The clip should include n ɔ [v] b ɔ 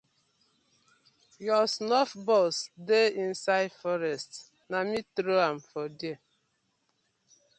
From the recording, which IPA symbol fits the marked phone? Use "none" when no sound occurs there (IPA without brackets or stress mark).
f